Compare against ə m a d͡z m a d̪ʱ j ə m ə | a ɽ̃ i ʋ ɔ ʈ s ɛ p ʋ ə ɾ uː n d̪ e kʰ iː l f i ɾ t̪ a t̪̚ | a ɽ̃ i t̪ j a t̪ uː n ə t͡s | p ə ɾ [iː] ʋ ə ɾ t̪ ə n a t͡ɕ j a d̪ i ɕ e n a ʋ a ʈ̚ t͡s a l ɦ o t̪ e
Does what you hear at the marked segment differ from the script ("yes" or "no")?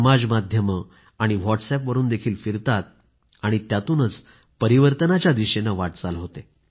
yes